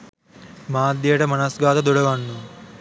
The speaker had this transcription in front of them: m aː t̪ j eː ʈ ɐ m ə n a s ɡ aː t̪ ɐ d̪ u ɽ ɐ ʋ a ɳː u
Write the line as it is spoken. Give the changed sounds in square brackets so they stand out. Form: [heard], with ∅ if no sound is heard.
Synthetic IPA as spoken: m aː [d̪] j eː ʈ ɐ m [ɐ] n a s ɡ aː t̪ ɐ d̪ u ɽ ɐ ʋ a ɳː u

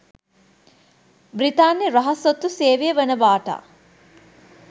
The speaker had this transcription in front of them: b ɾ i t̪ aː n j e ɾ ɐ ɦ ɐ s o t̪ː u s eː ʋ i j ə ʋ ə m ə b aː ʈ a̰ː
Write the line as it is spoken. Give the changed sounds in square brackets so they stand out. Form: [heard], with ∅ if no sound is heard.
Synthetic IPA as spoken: b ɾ i t̪ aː n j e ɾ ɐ ɦ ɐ s o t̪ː u s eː ʋ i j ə ʋ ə [n] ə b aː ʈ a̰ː

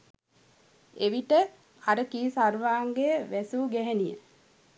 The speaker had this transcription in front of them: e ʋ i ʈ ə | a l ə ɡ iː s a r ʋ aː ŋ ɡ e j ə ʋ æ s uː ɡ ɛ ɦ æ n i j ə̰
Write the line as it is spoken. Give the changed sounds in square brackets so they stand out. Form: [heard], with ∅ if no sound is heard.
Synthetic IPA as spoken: e ʋ i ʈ ə | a [ɾ] ə [k] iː s a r ʋ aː ŋ ɡ e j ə ʋ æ s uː ɡ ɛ ɦ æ n i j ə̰

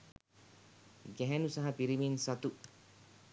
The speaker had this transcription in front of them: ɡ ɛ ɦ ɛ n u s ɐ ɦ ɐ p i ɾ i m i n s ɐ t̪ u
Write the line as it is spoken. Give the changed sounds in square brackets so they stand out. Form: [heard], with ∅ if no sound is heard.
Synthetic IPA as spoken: ɡ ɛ ɦ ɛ n u s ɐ ɦ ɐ p i ɾ i m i n s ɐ t̪ u

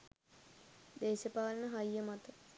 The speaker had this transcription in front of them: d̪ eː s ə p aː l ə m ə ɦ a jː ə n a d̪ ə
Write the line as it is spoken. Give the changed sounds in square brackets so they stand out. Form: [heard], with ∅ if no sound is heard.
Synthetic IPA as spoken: d̪ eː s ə p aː l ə [n] ə ɦ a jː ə [m] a [t̪] ə

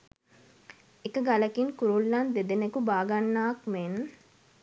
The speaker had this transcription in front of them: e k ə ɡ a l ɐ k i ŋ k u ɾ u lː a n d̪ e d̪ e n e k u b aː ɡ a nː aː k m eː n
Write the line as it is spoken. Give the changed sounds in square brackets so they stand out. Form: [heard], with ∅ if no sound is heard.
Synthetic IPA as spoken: e k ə ɡ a l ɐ k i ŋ k u ɾ u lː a n d̪ e d̪ e n e k u b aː ɡ a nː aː k m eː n

